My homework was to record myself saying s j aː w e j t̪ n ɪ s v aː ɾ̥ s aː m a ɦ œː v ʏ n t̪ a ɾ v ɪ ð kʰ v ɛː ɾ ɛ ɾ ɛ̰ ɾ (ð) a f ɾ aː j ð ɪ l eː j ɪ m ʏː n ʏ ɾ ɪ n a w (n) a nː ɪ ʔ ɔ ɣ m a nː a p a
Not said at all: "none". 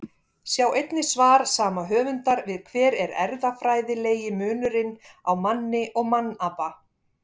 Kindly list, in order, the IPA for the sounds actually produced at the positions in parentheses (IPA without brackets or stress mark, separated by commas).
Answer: ð, m